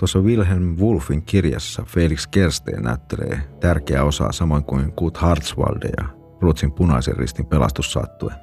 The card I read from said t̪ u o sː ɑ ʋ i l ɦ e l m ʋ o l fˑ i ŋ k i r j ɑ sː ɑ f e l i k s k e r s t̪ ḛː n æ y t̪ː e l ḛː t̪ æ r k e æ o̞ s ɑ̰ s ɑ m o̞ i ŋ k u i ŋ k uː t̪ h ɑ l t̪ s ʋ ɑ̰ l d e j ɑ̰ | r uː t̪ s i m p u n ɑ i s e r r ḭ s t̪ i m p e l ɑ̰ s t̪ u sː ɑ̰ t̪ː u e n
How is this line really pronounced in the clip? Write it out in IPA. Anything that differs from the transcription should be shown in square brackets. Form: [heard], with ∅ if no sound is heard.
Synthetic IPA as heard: t̪ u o sː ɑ ʋ i l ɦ e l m ʋ [u] l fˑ i ŋ k i r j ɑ sː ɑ f e l i k s k e r s t̪ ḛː n æ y t̪ː e l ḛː t̪ æ r k e æ o̞ s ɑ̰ s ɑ m o̞ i ŋ k u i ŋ k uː t̪ h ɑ [r] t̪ s ʋ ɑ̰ l d e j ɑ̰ | r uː t̪ s i m p u n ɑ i s e r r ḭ s t̪ i m p e l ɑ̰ s t̪ u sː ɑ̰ t̪ː u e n